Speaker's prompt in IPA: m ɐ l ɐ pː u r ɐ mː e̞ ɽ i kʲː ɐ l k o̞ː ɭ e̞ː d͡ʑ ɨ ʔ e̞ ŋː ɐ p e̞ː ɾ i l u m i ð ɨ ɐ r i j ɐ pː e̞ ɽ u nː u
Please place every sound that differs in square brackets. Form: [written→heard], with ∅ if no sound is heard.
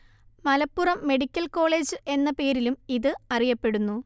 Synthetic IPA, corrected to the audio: m ɐ l ɐ pː u r ɐ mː e̞ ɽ i kʲː ɐ l k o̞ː ɭ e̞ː d͡ʑ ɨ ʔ e̞ [ŋː→nː] ɐ p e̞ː ɾ i l u m i ð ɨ ɐ r i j ɐ pː e̞ ɽ u nː u